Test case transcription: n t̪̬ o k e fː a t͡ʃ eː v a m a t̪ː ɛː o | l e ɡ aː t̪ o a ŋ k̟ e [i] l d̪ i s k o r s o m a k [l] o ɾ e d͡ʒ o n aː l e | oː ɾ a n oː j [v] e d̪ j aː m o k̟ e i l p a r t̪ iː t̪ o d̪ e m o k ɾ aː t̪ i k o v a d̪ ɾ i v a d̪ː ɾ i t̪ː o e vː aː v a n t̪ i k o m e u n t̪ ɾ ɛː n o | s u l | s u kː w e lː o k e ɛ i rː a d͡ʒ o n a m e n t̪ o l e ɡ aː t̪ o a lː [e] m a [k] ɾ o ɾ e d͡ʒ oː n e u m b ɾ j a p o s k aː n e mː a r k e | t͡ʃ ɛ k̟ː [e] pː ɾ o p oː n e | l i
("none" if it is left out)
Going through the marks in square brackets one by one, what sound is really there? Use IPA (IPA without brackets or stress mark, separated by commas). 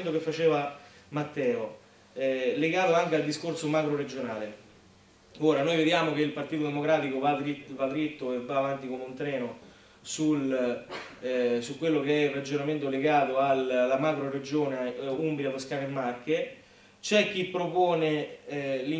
a, ɾ, v, a, k, i